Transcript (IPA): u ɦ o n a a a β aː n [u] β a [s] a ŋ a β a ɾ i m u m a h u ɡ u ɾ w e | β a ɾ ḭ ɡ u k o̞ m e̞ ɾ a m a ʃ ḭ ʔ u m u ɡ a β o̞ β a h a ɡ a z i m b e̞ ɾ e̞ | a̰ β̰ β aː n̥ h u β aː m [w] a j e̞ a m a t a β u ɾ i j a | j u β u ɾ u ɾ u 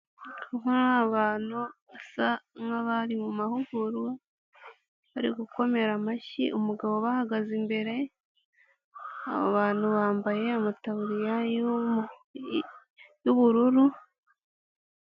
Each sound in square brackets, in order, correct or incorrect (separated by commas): correct, correct, incorrect